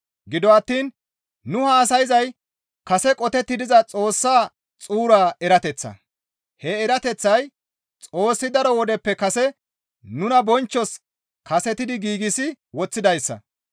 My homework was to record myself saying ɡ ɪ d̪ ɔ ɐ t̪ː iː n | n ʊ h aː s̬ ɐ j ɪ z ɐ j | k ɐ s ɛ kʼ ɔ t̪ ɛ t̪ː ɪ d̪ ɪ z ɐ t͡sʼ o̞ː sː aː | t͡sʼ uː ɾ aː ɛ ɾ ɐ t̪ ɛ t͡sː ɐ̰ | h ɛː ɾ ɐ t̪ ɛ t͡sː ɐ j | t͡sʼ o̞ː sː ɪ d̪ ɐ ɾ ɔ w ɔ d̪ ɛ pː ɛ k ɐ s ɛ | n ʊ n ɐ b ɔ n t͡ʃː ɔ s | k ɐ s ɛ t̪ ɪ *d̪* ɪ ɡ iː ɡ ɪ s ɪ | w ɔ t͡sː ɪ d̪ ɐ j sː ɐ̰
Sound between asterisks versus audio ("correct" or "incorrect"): correct